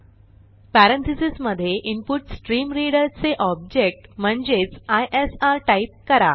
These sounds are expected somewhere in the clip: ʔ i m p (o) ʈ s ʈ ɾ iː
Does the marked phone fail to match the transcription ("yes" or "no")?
yes